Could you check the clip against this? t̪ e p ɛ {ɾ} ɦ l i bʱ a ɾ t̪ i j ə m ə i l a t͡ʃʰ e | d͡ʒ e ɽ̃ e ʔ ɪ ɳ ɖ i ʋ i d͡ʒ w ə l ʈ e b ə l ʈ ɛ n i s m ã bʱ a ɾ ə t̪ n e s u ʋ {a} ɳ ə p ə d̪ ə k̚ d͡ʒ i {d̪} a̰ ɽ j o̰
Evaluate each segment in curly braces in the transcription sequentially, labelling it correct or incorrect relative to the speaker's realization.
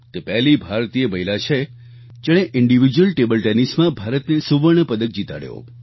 incorrect, incorrect, incorrect

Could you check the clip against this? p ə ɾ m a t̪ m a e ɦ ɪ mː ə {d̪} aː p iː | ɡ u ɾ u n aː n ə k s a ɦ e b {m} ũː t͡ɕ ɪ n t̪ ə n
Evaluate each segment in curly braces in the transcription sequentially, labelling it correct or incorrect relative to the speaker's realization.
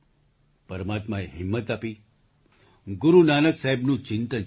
incorrect, incorrect

